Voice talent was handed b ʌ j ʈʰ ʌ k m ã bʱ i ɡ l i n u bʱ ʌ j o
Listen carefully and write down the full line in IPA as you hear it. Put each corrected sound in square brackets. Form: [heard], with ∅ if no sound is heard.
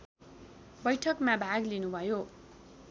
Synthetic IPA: b ʌ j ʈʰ ʌ k m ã bʱ [a] ɡ l i n u bʱ ʌ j o